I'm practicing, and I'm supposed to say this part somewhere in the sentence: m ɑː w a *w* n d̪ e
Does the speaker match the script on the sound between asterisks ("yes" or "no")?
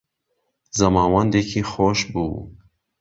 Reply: no